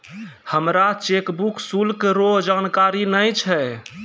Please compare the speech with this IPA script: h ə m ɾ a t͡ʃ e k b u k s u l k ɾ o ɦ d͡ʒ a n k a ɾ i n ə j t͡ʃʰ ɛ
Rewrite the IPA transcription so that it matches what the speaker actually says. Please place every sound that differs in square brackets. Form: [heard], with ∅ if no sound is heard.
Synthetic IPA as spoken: h ə m ɾ a t͡ʃ e k b u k s u l k ɾ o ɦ d͡ʒ a n k a ɾ i n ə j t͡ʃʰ ɛ